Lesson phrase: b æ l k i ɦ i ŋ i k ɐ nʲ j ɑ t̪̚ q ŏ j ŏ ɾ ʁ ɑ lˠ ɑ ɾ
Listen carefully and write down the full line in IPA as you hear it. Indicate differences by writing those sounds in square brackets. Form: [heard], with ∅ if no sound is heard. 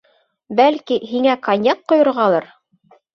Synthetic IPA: b æ l k i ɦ i ŋ [æ] k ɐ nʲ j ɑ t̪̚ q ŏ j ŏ ɾ ʁ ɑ lˠ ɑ ɾ